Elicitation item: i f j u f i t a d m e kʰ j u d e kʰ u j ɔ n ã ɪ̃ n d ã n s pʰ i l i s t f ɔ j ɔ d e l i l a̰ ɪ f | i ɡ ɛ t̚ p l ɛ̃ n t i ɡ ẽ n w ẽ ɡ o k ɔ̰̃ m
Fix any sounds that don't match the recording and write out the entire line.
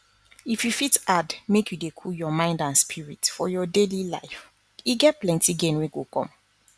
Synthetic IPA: i f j u f i t a d m e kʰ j u d e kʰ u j ɔ m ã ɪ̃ n d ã n s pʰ i ɹ i t f ɔ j ɔ d e l i l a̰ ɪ f | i ɡ ɛ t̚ p l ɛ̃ n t i ɡ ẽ n w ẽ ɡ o k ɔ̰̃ m